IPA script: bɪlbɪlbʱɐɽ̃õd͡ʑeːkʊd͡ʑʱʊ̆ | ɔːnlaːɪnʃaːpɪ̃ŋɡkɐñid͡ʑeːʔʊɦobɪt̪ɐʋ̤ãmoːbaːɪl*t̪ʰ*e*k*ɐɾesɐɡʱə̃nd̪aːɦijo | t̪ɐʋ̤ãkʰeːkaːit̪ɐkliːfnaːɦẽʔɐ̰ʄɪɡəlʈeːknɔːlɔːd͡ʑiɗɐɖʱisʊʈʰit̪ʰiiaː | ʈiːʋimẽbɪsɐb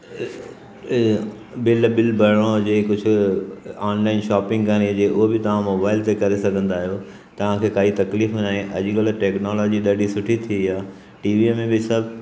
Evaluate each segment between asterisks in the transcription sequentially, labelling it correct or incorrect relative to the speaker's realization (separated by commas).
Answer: incorrect, correct